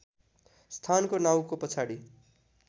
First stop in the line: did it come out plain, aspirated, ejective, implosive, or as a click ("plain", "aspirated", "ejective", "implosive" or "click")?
aspirated